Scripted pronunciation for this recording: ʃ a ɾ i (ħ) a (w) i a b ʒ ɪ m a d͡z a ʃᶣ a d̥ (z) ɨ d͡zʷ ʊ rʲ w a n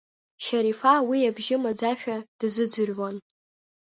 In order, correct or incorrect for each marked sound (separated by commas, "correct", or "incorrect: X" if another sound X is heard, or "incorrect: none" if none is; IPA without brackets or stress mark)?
incorrect: f, correct, correct